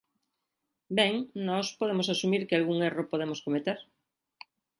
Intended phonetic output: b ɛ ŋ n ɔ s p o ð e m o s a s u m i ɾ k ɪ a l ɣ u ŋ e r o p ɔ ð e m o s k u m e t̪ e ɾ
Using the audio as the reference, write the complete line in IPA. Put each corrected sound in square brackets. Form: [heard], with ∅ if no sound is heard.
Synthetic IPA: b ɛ ŋ n ɔ s p o ð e m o s a s u m i ɾ k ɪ a l ɣ u ŋ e r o p [o] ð e m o s k [o] m e t̪ e ɾ

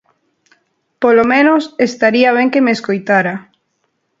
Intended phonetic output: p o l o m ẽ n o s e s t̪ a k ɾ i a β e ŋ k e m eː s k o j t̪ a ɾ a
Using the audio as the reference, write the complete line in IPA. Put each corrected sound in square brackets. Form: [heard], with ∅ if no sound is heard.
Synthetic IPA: p o l o m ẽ n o s e s t̪ a [∅] ɾ i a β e ŋ k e m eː s k o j t̪ a ɾ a

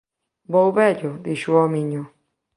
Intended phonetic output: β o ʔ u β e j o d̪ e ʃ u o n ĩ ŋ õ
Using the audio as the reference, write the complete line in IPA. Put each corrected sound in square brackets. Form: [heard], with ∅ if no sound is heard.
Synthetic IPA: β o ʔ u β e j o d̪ [i] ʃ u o [m] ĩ [ɲ] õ

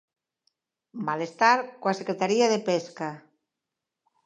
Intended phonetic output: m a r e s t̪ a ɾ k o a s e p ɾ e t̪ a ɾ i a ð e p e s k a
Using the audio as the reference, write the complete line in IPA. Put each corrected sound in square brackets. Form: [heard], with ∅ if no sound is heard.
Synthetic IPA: m a [l] e s t̪ a ɾ k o a s e [k] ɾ e t̪ a ɾ i a ð e p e s k a

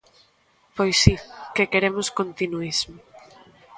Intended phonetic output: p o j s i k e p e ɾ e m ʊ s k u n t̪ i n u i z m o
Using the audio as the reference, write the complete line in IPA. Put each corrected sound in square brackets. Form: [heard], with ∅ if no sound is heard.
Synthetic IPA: p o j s i k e [k] e ɾ e m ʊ s k [o] n t̪ i n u i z m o

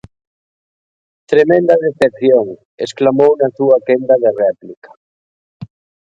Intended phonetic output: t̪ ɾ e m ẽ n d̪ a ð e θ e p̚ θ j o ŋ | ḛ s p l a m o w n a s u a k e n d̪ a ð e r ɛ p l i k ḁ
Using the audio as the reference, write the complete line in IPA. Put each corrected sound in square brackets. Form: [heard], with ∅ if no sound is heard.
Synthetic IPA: t̪ ɾ e m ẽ n d̪ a ð e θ e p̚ θ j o ŋ | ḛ s [k] l a m o w n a s u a k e n d̪ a ð e r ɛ p l i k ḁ

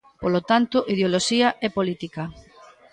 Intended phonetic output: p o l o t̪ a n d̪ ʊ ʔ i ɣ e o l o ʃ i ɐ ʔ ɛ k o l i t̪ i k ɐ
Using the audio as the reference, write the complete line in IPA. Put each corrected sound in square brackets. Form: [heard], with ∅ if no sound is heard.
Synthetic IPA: p o l o t̪ a n [t̪] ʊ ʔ i [ð] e o l o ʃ i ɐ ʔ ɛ [p] o l i t̪ i k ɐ

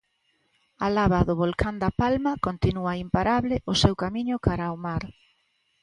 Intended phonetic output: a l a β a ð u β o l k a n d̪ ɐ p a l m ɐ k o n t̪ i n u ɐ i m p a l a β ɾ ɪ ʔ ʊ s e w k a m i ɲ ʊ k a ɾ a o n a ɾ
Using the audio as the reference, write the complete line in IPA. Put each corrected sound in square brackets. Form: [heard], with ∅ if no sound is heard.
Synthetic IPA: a l a β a ð [ʊ] β o l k a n d̪ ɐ p a l m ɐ k o n t̪ i n u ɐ i m p a [ɾ] a β [l] ɪ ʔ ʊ s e w k a m i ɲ ʊ k a ɾ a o [m] a ɾ

